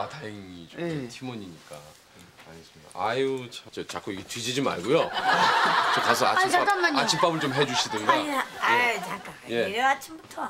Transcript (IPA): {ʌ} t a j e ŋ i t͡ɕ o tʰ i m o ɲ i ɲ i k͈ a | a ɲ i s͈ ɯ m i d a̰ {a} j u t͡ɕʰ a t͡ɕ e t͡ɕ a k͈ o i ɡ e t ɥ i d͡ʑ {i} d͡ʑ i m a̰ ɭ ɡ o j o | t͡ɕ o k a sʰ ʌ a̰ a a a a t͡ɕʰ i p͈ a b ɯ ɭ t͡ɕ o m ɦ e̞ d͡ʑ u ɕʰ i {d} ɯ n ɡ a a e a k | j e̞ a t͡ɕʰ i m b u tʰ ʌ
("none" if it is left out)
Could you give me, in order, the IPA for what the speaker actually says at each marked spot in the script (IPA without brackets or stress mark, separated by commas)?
a, a, i, d